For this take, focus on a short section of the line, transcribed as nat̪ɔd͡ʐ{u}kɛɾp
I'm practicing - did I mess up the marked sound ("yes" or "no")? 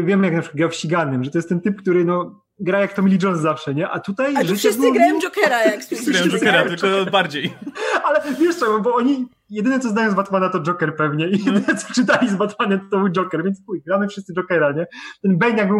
yes